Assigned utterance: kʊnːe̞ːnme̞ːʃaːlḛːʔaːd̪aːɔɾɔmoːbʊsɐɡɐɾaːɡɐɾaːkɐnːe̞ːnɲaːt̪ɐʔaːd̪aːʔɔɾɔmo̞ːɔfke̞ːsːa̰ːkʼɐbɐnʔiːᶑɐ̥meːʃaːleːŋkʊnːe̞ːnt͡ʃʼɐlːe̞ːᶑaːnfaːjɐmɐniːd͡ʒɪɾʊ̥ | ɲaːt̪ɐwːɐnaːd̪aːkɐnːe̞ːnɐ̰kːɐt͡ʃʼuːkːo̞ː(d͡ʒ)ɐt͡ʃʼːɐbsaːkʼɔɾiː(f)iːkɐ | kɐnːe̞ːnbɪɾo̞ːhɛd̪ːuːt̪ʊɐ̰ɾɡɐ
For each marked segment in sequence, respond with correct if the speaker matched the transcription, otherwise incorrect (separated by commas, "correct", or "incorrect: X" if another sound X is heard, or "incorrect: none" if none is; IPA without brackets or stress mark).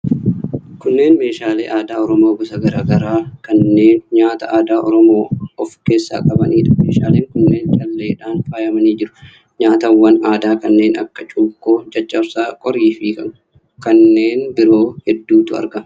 correct, correct